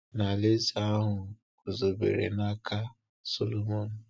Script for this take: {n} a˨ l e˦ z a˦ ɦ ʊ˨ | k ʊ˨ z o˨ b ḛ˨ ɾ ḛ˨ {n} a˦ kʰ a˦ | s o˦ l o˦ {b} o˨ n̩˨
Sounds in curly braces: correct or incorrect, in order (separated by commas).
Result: correct, correct, incorrect